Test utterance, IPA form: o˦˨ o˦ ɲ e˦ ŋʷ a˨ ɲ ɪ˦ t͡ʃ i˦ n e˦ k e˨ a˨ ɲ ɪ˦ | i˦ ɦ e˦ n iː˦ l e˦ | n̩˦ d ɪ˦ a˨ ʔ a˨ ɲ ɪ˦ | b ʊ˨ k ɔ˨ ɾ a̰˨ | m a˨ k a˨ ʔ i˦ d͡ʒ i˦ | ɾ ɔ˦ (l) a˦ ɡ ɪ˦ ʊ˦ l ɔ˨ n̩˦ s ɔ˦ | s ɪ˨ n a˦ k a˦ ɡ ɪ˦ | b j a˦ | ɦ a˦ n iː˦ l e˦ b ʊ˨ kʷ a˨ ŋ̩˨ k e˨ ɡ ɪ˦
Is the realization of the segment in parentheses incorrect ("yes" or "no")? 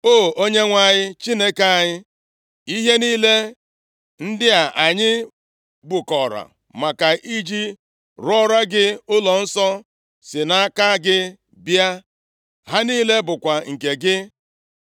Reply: yes